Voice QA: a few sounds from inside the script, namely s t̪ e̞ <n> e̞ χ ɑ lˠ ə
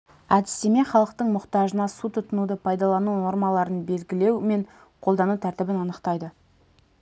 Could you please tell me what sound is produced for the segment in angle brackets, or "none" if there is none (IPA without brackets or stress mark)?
m